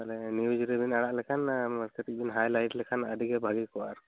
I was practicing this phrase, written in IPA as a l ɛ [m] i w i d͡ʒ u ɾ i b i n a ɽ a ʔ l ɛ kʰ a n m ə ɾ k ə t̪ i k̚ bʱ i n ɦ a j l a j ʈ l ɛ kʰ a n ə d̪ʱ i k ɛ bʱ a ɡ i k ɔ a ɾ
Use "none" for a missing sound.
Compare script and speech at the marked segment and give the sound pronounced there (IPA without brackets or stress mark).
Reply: n